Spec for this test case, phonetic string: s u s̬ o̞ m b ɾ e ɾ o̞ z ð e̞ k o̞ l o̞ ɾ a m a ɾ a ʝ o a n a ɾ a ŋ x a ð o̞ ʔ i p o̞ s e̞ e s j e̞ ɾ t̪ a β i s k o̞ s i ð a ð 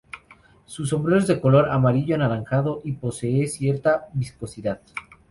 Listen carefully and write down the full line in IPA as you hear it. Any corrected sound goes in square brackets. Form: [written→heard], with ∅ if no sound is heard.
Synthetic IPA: s u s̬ o̞ m b ɾ e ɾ o̞ z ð e̞ k o̞ l o̞ ɾ a m a ɾ [a→i] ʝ o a n a ɾ a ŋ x a ð o̞ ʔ i p o̞ s e̞ e s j e̞ ɾ t̪ a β i s k o̞ s i ð a ð

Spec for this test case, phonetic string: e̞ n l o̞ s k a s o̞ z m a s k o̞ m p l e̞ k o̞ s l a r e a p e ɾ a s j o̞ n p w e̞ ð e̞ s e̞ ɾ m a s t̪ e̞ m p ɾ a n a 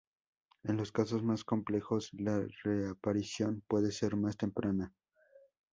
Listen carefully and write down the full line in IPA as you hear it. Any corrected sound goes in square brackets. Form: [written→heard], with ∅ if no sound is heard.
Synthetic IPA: e̞ n l o̞ s k a s o̞ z m a s k o̞ m p l e̞ [k→x] o̞ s l a r e a p [e→a] ɾ [a→i] s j o̞ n p w e̞ ð e̞ s e̞ ɾ m a s t̪ e̞ m p ɾ a n a

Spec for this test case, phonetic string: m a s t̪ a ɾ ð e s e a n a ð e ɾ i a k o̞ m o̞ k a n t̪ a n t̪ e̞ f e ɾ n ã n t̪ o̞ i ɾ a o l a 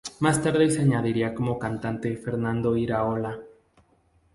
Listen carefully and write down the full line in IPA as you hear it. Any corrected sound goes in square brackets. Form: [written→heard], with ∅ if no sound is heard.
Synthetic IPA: m a s t̪ a ɾ ð e s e a [n→ɲ] a ð [e→i] ɾ i a k o̞ m o̞ k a n t̪ a n t̪ e̞ f e ɾ n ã n [t̪→d̪] o̞ i ɾ a o l a

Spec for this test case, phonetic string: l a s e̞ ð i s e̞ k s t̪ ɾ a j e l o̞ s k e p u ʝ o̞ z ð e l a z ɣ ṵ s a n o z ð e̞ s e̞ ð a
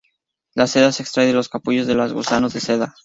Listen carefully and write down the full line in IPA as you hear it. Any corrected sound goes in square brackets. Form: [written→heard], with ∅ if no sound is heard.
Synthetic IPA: l a s e̞ ð [i→a] s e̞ k s t̪ ɾ a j e l o̞ s k [e→a] p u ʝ o̞ z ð e l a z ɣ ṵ s a n o z ð e̞ s e̞ ð a

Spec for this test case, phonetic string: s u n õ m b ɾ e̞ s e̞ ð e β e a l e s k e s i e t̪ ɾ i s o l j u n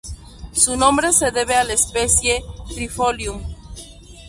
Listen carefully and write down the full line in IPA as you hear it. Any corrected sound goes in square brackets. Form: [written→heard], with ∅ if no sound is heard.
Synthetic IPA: s u n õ m b ɾ e̞ s e̞ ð e β e a l e s [k→p] e s [i→j] e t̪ ɾ i [s→f] o l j u [n→m]

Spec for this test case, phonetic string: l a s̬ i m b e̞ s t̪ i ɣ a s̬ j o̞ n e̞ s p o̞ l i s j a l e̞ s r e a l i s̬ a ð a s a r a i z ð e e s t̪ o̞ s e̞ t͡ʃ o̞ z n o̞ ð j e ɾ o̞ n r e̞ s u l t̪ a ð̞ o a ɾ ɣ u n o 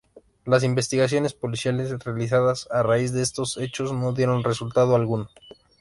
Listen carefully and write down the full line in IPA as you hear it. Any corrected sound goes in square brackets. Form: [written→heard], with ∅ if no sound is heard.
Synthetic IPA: l a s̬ i m b e̞ s t̪ i ɣ a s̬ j o̞ n e̞ s p o̞ l i s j a l e̞ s r e a l i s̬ a ð a s a r a i z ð e e s t̪ o̞ s e̞ t͡ʃ o̞ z n o̞ ð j e ɾ o̞ n r e̞ s u l t̪ a ð̞ o a [ɾ→l] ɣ u n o

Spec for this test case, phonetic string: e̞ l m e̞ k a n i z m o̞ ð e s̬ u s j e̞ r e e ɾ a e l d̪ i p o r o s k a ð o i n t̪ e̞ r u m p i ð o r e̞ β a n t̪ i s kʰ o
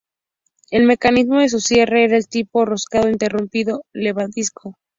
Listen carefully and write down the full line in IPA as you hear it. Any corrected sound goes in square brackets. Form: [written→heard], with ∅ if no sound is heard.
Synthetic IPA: e̞ l m e̞ k a n i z m o̞ ð e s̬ u s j e̞ r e e ɾ a e l [d̪→t̪] i p o r o s k a ð o i n t̪ e̞ r u m p i ð o [r→l] e̞ β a n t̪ i s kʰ o

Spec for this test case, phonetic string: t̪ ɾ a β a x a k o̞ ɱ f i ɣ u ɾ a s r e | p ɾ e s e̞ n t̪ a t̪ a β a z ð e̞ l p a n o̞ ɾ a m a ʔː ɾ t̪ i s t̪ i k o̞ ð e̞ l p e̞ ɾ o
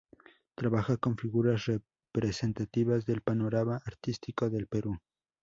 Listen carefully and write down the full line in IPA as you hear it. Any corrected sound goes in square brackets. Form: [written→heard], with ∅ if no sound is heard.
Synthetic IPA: t̪ ɾ a β a x a k o̞ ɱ f i ɣ u ɾ a s r e | p ɾ e s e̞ n t̪ a t̪ [a→i] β a z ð e̞ l p a n o̞ ɾ a m a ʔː ɾ t̪ i s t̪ i k o̞ ð e̞ l p e̞ ɾ [o→u]

